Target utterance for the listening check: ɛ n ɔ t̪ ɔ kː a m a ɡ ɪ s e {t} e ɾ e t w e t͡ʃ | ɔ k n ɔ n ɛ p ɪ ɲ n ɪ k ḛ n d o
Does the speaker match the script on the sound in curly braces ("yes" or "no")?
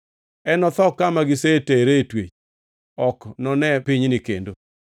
yes